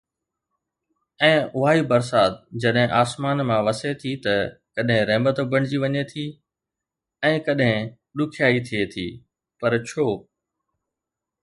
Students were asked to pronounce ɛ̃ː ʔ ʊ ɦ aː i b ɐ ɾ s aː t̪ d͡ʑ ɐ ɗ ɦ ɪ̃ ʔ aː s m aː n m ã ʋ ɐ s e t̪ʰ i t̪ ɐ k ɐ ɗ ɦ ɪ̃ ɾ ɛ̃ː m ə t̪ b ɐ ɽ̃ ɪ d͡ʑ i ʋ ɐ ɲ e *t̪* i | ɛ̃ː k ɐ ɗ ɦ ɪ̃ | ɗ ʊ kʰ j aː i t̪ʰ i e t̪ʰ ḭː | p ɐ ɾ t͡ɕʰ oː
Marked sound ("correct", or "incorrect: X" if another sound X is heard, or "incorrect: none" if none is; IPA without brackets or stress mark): incorrect: t̪ʰ